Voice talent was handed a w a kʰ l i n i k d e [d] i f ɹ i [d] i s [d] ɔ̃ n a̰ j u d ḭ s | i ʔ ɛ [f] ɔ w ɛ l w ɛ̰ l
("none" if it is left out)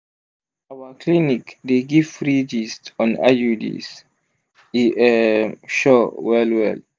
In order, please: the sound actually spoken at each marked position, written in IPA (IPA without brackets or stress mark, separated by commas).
ɡ, d͡ʒ, t, ʃ